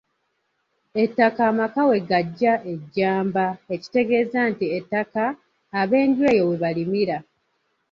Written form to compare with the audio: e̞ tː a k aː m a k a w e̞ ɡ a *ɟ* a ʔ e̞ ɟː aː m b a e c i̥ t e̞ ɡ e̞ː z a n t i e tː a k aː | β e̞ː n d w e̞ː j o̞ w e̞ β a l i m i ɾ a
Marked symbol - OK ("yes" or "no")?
no